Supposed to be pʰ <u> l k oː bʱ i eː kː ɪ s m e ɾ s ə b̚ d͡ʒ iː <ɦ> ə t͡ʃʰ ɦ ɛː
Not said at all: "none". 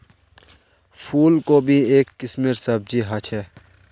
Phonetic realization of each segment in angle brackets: uː, ɦ

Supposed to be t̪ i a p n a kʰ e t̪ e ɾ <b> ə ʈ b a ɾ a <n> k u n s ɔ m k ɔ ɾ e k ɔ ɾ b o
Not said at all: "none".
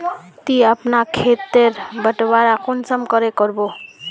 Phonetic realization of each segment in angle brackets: b, none

